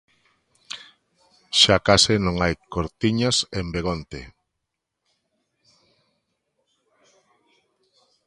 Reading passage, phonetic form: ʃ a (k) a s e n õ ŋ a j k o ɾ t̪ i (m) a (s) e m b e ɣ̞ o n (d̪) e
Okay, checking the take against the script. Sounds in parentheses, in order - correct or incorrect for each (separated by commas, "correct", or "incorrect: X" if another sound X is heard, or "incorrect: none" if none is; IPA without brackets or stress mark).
correct, incorrect: ɲ, correct, incorrect: t̪